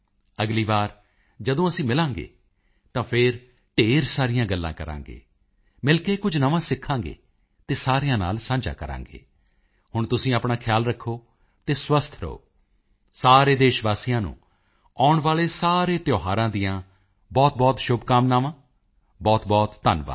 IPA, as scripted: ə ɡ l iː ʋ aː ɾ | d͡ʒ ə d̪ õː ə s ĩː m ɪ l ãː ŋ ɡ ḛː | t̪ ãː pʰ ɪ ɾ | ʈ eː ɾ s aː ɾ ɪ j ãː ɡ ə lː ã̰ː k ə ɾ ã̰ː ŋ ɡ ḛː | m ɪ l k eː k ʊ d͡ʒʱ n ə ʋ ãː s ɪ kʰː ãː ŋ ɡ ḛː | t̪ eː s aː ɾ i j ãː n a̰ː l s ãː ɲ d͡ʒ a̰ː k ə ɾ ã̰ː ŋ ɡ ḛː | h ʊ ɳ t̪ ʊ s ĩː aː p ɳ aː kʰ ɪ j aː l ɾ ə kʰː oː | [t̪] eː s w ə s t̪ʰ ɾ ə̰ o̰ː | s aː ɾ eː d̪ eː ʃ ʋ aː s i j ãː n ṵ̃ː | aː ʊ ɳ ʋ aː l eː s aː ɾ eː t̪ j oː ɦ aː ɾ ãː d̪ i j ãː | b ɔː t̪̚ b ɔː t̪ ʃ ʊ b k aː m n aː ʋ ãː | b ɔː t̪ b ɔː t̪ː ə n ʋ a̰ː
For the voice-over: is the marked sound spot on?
yes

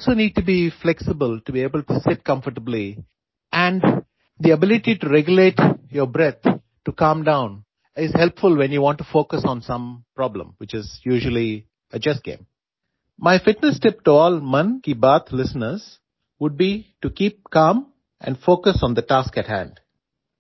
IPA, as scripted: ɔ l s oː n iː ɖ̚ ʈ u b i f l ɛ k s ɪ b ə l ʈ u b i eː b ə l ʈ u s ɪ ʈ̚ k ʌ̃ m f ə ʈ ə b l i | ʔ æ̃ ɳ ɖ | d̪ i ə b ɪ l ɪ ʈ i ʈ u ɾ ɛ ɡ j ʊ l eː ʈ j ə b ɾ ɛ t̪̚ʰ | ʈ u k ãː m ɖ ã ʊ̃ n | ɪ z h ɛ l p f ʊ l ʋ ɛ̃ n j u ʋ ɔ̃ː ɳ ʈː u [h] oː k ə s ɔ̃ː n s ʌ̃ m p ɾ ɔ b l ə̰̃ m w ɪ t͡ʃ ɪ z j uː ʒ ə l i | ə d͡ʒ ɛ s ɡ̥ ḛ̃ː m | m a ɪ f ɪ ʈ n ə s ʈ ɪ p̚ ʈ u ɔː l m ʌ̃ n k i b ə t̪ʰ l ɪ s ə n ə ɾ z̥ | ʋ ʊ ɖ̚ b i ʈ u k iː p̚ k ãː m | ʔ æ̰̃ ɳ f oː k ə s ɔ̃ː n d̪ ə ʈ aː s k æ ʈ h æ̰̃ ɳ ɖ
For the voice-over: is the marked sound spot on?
no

